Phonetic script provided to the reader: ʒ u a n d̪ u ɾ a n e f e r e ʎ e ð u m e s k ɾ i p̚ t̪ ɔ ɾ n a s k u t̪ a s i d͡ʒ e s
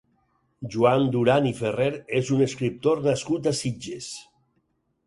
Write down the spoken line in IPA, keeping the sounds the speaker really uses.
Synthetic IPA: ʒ u a n d̪ u ɾ a n i f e r e ɾ e z u n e s k ɾ i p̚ t̪ o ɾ n a s k u t̪ a s i d͡ʒ e s